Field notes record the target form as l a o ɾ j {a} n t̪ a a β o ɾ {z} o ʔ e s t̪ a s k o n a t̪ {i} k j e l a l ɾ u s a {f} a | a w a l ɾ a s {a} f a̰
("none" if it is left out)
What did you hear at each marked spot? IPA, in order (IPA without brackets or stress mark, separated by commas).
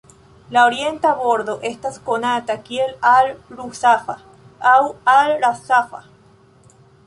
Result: e, ð, a, f, a